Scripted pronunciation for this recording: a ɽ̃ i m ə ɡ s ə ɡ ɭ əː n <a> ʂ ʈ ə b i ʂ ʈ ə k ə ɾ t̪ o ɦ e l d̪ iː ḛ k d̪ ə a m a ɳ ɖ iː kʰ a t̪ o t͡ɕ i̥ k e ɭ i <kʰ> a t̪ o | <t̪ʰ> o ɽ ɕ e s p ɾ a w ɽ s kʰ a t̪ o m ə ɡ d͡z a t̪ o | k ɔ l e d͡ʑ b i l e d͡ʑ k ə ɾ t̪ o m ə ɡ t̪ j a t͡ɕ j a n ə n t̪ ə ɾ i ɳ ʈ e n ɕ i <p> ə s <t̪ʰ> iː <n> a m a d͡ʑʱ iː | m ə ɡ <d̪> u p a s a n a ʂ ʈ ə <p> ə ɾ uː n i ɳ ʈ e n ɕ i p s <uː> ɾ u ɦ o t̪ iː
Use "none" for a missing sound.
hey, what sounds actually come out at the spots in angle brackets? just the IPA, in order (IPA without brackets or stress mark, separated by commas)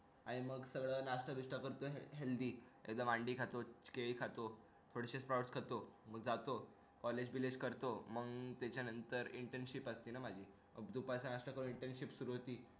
a, kʰ, t̪ʰ, p, t̪, n, d̪, k, u